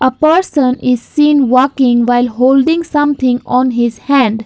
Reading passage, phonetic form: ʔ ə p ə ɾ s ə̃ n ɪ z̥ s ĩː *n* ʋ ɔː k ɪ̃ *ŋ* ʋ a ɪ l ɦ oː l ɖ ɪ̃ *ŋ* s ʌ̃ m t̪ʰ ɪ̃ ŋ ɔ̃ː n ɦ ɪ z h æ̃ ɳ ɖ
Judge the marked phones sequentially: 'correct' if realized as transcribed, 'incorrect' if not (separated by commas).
correct, correct, correct